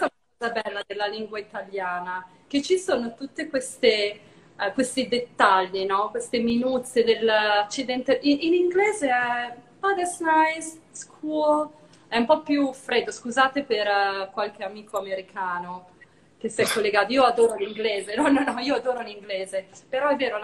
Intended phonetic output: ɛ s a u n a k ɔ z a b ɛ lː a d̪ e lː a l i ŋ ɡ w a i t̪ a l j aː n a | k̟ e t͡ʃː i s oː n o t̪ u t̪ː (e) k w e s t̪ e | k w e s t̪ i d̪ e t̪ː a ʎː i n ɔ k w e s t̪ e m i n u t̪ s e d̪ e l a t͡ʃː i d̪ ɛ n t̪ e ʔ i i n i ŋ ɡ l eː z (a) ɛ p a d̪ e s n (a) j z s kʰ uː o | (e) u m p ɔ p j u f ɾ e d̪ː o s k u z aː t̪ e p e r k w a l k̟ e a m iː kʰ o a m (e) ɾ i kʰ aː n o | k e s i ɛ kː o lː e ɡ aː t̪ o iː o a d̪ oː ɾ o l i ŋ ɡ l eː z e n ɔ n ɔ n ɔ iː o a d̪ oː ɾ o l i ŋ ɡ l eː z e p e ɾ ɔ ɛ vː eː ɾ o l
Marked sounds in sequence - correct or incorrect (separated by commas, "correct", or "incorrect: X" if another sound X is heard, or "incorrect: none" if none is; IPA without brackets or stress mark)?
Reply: correct, incorrect: e, correct, incorrect: ɛ, correct